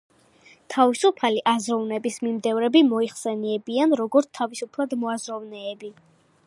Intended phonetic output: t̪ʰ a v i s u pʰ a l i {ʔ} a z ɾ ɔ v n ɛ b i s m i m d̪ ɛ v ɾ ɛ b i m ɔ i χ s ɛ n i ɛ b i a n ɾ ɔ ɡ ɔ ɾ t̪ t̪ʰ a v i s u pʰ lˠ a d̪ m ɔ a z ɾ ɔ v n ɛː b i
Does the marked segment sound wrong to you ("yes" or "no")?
no